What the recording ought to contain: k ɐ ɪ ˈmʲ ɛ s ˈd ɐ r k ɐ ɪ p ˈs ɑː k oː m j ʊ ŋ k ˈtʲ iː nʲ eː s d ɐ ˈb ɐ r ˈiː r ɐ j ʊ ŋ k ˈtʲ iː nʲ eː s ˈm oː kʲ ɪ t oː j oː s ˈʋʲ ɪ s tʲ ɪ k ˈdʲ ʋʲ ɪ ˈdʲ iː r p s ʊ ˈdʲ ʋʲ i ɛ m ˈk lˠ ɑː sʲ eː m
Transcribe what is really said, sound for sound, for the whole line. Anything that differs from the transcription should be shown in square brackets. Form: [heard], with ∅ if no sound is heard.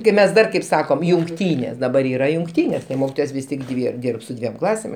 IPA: k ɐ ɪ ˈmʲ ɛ s ˈd ɐ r k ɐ ɪ p ˈs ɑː k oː m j ʊ ŋ k ˈtʲ iː nʲ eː s d ɐ ˈb ɐ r ˈiː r ɐ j ʊ ŋ k ˈtʲ iː nʲ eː s ˈm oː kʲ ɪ t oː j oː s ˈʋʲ ɪ s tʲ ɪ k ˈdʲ ʋʲ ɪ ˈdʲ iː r p s ʊ ˈdʲ ʋʲ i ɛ m ˈk lˠ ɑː sʲ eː m